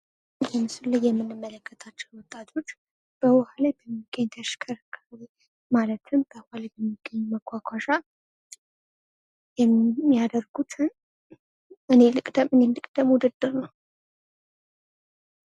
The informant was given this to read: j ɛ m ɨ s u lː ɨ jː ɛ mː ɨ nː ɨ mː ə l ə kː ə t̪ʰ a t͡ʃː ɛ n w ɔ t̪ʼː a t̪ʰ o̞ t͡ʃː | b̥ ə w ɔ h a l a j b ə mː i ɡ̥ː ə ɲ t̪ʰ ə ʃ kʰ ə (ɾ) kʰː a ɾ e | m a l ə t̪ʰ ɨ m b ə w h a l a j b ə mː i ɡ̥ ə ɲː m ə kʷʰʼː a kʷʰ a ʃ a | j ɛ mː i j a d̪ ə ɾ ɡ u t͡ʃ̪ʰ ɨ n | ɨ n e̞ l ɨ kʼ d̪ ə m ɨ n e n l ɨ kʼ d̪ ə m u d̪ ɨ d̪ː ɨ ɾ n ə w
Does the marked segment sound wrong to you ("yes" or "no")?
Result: no